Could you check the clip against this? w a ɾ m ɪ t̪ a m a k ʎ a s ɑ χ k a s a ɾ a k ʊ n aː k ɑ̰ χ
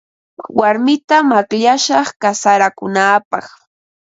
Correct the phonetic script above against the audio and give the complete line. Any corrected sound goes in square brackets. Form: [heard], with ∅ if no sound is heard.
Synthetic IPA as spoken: w a ɾ m ɪ t̪ a m a k ʎ a [ʃ] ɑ χ k a s a ɾ a k ʊ n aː [p] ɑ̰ χ